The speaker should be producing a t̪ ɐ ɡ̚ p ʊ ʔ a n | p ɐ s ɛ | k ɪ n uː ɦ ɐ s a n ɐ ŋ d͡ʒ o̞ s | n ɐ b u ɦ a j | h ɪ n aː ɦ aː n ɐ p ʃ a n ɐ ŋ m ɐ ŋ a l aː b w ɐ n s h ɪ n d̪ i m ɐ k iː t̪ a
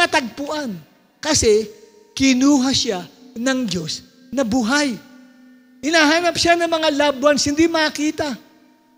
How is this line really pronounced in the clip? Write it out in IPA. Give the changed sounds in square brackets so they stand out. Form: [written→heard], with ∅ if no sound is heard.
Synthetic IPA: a t̪ ɐ ɡ̚ p ʊ ʔ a n | [p→k] ɐ s ɛ | k ɪ n uː ɦ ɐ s a n ɐ ŋ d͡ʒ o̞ s | n ɐ b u ɦ a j | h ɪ n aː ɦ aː n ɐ p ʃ a n ɐ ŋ m ɐ ŋ a l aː b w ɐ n s h ɪ n d̪ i m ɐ k iː t̪ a

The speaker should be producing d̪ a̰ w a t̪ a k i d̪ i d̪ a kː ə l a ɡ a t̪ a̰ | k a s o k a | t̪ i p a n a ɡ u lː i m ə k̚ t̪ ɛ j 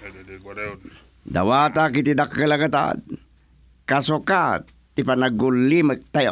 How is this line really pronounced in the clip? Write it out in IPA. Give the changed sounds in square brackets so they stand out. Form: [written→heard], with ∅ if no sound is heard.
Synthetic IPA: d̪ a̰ w a t̪ a k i [d̪→t̪] i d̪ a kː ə l a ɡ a t̪ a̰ | k a s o k a | t̪ i p a n a ɡ u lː i m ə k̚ t̪ [ɛ→a] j

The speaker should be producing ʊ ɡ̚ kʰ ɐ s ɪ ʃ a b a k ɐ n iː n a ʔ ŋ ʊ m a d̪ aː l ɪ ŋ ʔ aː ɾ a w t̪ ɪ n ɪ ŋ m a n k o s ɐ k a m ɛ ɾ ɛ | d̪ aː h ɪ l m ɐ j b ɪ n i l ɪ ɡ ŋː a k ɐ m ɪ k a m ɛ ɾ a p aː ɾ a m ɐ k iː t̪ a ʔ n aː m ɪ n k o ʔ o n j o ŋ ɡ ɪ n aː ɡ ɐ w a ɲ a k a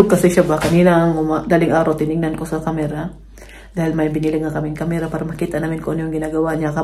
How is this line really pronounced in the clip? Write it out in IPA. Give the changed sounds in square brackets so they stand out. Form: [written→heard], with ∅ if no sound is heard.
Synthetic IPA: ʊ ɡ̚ [kʰ→k] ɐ s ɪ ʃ a b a k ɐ n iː n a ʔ ŋ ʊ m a d̪ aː l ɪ ŋ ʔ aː ɾ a w t̪ ɪ n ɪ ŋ [m→n] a n k o s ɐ k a m ɛ ɾ [ɛ→a] | d̪ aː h ɪ l m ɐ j b ɪ n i l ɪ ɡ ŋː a k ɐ m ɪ k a m ɛ ɾ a p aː ɾ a m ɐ k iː t̪ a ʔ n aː m ɪ n k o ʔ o n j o ŋ ɡ ɪ n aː ɡ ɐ w a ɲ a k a

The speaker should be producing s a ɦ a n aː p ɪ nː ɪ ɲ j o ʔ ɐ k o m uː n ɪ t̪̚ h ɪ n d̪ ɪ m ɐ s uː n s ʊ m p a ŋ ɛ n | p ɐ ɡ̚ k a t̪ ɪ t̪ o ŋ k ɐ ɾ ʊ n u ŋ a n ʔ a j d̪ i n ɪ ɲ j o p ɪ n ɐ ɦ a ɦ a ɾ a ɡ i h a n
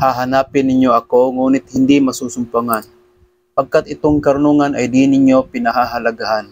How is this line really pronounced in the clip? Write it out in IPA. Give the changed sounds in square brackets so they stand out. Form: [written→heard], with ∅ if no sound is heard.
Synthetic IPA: [s→h] a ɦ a n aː p ɪ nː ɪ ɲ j o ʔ ɐ k o [m→ŋ] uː n ɪ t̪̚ h ɪ n d̪ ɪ m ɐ s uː [n→∅] s ʊ m p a ŋ [ɛ→a] n | p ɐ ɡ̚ k a t̪ ɪ t̪ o ŋ k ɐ ɾ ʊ n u ŋ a n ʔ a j d̪ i n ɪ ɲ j o p ɪ n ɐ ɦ a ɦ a [ɾ→l] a ɡ [i→a] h a n

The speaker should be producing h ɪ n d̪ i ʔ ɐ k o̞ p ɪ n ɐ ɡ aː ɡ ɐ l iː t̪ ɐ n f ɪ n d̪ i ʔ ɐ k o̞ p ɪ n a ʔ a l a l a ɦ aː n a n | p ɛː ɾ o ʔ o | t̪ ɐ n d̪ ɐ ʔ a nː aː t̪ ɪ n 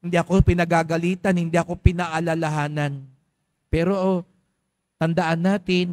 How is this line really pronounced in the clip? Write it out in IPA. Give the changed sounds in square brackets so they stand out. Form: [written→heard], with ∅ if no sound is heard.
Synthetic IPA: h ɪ n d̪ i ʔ ɐ k o̞ p ɪ n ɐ ɡ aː ɡ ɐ l iː t̪ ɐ n [f→h] ɪ n d̪ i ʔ ɐ k o̞ p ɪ n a ʔ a l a l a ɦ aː n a n | p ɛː ɾ o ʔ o | t̪ ɐ n d̪ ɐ ʔ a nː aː t̪ ɪ n

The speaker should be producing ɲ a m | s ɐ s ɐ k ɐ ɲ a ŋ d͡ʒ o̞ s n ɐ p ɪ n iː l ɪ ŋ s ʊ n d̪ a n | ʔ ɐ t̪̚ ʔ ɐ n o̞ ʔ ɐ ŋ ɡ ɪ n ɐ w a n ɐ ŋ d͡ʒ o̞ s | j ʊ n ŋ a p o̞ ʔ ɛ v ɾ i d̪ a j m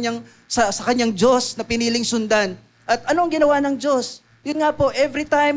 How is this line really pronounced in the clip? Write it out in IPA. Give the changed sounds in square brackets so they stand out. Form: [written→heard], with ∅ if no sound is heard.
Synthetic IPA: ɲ a [m→ŋ] | s ɐ s ɐ k ɐ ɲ a ŋ d͡ʒ o̞ s n ɐ p ɪ n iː l ɪ ŋ s ʊ n d̪ a n | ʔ ɐ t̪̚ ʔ ɐ n o̞ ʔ ɐ ŋ ɡ ɪ n ɐ w a n ɐ ŋ d͡ʒ o̞ s | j ʊ n ŋ a p o̞ ʔ ɛ v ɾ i [d̪→t̪] a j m

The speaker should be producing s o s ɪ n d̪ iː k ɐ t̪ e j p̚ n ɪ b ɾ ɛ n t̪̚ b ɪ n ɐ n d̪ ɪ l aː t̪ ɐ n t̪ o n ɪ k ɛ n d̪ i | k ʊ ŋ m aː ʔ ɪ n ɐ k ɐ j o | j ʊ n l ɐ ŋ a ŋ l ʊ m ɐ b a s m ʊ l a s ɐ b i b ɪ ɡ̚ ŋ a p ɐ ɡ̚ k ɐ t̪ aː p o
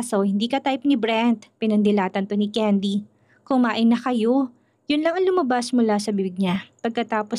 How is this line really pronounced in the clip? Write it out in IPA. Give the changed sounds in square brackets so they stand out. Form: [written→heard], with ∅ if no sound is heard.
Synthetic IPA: s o [s→h] ɪ n d̪ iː k ɐ t̪ [e→a] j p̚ n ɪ b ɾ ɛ n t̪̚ [b→p] ɪ n ɐ n d̪ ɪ l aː t̪ ɐ n t̪ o n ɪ k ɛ n d̪ i | k ʊ ŋ m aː ʔ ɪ n ɐ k ɐ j o | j ʊ n l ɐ ŋ [a→ɐ] ŋ l ʊ m ɐ b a s m ʊ l a s ɐ b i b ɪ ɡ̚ [ŋ→ɲ] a p ɐ ɡ̚ k ɐ t̪ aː p o

